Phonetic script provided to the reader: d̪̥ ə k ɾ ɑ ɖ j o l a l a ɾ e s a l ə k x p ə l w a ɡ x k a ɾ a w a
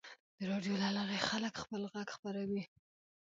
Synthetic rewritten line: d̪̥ ə ɾ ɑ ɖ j o l a l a ɾ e x a l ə k x p ə l ɣ a ɡ x p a ɾ a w i